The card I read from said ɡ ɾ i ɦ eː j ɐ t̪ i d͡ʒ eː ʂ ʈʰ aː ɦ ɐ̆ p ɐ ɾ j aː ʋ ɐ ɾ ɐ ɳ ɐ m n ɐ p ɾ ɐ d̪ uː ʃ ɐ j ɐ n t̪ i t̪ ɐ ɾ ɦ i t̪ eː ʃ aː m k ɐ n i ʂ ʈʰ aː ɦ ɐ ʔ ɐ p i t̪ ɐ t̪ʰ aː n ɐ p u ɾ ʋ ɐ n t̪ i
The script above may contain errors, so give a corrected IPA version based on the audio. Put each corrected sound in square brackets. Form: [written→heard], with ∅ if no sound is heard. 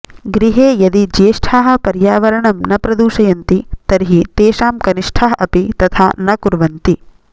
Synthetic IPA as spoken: ɡ ɾ i ɦ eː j ɐ [t̪→d̪] i d͡ʒ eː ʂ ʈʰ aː ɦ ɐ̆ p ɐ ɾ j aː ʋ ɐ ɾ ɐ ɳ ɐ m n ɐ p ɾ ɐ d̪ uː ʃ ɐ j ɐ n t̪ i t̪ ɐ ɾ ɦ i t̪ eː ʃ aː m k ɐ n i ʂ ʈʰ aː ɦ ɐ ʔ ɐ p i t̪ ɐ t̪ʰ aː n ɐ [p→k] u ɾ ʋ ɐ n t̪ i